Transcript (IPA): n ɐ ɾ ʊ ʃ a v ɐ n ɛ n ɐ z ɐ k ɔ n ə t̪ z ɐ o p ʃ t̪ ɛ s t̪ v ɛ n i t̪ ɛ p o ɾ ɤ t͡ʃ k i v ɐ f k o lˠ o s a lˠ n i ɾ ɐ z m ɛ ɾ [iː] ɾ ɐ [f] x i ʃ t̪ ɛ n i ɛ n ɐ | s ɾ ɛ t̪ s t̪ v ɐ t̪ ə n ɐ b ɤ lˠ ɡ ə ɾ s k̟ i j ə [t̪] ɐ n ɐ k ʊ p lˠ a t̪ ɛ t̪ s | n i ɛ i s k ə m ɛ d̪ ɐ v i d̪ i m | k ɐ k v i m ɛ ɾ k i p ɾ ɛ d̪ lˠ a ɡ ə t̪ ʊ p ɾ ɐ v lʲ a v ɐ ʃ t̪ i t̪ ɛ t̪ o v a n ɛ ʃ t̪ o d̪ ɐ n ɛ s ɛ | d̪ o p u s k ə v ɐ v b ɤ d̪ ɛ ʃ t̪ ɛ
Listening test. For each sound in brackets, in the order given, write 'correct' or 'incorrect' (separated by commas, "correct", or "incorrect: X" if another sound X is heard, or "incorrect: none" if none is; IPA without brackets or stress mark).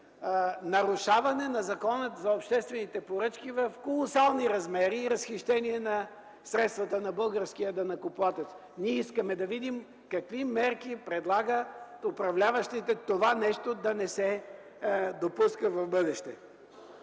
correct, incorrect: s, incorrect: d̪